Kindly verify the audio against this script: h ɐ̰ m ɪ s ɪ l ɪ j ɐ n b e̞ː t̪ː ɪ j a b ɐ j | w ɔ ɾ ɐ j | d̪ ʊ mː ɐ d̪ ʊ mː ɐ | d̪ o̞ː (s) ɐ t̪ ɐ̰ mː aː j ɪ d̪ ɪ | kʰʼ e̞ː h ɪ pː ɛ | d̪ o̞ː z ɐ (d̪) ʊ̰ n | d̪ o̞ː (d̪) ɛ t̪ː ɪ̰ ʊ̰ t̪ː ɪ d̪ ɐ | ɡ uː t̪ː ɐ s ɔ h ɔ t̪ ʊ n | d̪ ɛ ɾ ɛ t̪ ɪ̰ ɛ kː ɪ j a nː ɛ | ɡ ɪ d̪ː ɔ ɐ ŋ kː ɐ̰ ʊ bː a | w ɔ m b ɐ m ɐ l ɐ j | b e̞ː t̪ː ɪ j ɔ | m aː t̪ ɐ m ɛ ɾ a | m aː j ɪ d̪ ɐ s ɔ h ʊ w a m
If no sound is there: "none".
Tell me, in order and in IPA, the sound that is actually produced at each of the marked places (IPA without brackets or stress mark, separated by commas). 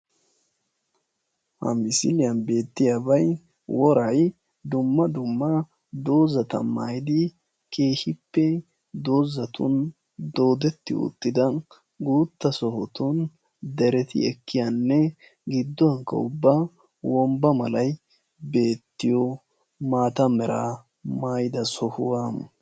z, t̪, d̪